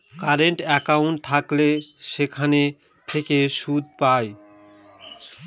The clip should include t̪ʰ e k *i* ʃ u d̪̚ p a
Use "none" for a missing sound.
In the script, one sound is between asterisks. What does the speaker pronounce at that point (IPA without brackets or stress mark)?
e